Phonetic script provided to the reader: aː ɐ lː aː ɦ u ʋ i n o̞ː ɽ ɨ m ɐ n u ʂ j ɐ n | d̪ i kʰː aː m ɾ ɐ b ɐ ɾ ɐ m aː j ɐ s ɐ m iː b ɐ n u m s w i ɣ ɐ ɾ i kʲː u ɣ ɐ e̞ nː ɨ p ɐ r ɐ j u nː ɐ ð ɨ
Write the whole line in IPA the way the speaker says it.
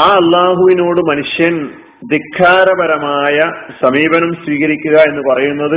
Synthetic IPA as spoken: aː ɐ lː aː ɦ u ʋ i n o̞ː ɽ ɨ m ɐ n u ʂ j ɐ n | d̪ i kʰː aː ɾ ɐ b ɐ ɾ ɐ m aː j ɐ s ɐ m iː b ɐ n u m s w iː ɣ ɐ ɾ i kʲː u ɣ ɐ e̞ nː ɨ p ɐ r ɐ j u nː ɐ ð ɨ